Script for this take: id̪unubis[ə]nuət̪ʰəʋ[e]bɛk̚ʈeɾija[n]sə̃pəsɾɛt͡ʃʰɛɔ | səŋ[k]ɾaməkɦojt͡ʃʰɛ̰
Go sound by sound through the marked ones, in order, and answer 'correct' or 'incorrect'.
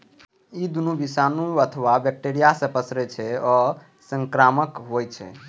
incorrect, incorrect, incorrect, correct

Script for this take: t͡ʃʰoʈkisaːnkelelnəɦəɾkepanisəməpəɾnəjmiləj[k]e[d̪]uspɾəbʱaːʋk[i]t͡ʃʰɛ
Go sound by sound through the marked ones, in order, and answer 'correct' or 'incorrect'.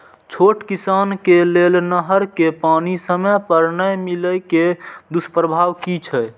correct, correct, correct

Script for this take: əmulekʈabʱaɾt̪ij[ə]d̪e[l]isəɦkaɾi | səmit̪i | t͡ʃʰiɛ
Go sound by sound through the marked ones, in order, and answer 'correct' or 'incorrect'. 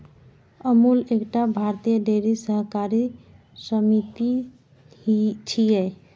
correct, incorrect

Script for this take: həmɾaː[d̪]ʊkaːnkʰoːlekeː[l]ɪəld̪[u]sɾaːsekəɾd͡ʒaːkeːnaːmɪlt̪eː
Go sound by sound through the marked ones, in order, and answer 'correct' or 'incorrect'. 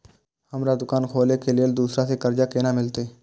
correct, correct, incorrect

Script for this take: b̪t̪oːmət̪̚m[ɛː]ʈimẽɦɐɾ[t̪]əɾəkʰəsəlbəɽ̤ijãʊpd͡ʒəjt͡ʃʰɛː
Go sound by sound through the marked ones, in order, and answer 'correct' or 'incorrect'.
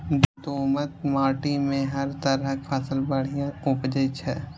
incorrect, correct

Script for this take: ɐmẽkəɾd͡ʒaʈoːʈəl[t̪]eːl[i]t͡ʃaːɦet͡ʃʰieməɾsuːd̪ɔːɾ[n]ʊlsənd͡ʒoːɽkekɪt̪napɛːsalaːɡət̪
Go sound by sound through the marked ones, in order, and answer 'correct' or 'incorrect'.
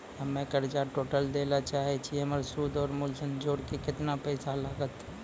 incorrect, incorrect, incorrect

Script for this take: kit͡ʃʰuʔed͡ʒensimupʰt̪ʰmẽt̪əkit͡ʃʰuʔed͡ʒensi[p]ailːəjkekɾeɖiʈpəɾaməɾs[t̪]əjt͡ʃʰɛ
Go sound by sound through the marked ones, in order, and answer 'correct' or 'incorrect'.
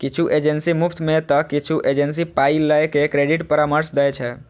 correct, incorrect

